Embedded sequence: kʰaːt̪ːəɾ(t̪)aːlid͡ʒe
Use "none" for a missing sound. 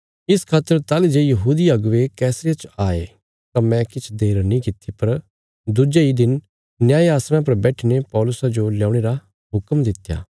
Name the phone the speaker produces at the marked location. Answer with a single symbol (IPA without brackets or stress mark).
t̪